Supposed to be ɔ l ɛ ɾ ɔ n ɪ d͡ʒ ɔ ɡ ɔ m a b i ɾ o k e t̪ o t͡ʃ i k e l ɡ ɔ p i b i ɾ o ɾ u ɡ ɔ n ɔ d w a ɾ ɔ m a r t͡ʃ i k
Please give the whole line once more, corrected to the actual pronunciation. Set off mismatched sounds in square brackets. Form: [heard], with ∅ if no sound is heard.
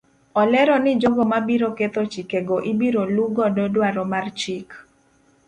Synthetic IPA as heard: ɔ l ɛ ɾ ɔ n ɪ d͡ʒ ɔ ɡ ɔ m a b i ɾ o k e t̪ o t͡ʃ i k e [∅] ɡ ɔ [ʔ] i b i ɾ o [l] u ɡ ɔ [d] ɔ d w a ɾ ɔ m a r t͡ʃ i k